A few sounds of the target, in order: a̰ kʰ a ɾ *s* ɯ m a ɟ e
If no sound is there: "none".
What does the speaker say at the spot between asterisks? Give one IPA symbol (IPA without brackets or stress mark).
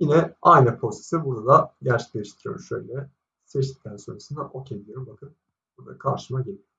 ʃ